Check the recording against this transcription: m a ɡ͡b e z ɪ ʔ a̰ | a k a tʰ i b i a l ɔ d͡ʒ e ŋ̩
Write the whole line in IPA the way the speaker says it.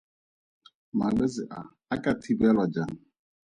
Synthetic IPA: m a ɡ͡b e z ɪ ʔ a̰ | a k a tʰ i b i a l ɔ d͡ʒ a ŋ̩

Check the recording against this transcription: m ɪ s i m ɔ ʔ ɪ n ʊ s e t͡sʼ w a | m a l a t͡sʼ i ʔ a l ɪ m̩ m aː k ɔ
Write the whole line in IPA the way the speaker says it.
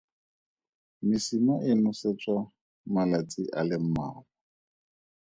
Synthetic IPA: m ɪ s i m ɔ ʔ ɪ n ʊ s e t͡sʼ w a | m a l a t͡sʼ i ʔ a l ɪ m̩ m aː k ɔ

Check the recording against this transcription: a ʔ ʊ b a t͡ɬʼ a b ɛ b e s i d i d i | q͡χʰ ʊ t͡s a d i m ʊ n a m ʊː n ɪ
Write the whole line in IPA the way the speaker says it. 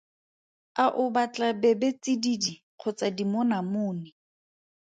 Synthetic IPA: a ʔ ʊ b a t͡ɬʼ a b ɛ b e t͡s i d i d i | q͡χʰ ʊ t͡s a d i m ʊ n a m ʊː n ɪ

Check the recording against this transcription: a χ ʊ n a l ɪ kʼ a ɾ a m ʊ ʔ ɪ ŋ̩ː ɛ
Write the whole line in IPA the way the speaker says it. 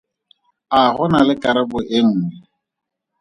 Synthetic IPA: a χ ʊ n a l ɪ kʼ a ɾ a b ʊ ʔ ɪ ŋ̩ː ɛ

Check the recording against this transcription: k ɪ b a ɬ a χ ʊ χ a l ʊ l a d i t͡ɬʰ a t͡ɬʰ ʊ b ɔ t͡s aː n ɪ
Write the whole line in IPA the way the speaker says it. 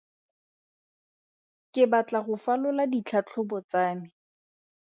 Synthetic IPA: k ɪ b a t͡ɬ a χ ʊ f a l ʊ l a d i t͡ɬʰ a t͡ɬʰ ʊ b ɔ t͡s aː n ɪ

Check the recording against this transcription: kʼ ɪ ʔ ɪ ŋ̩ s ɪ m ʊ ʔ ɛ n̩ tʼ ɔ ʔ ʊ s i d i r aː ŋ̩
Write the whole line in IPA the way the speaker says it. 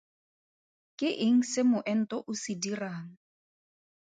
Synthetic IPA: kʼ ɪ ʔ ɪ ŋ̩ s ɪ m ʊ ʔ ɛ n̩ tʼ ɔ ʔ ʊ s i d i r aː ŋ̩

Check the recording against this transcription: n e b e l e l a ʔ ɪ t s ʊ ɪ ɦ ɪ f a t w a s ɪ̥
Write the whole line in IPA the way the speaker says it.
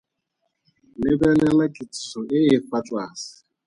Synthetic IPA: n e b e l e l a k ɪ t s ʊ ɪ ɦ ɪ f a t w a s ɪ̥

